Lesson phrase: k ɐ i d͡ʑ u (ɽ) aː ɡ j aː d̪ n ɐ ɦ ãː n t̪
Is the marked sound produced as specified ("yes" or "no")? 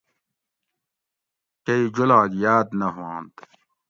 no